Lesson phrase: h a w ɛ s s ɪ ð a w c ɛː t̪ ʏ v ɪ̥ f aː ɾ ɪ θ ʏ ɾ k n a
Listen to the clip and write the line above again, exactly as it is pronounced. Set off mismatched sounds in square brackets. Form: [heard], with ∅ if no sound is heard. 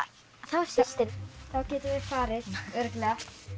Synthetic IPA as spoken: [θ] a w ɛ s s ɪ [θ] a w c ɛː t̪ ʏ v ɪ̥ f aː ɾ ɪ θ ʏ ɾ k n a